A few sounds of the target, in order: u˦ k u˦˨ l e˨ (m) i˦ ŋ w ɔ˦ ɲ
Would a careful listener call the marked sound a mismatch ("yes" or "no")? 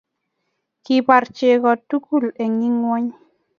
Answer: yes